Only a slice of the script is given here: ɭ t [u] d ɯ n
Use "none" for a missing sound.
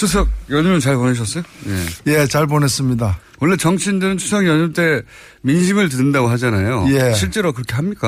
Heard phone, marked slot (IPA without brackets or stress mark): ɯ